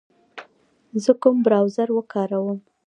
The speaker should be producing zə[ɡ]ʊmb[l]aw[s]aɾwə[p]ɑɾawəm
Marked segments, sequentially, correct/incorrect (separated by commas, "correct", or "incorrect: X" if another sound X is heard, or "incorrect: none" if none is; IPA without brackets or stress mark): incorrect: k, incorrect: ɾ, incorrect: z, incorrect: k